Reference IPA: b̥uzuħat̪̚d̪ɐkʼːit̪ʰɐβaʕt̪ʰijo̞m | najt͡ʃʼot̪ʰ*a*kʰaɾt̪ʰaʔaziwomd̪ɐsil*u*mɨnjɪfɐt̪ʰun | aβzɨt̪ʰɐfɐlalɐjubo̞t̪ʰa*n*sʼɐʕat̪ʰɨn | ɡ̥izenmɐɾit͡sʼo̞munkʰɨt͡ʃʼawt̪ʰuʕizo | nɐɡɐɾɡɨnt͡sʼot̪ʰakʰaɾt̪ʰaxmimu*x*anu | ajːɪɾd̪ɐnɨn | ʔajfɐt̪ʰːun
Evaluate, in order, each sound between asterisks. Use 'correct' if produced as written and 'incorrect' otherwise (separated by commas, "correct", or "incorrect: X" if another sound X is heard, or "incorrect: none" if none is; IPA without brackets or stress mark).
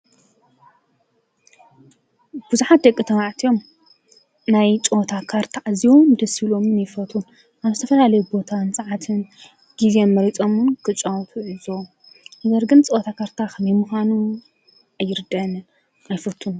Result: correct, incorrect: o, correct, correct